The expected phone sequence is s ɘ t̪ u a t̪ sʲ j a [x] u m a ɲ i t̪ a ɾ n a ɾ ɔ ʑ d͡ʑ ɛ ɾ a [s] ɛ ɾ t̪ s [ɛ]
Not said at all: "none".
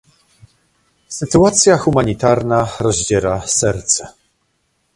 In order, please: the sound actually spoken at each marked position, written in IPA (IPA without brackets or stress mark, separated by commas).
x, s, ɛ